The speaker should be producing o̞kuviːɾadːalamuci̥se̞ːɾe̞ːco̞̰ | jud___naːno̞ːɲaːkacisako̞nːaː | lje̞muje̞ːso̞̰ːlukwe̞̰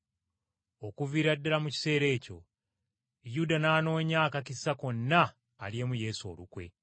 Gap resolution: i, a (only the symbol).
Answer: a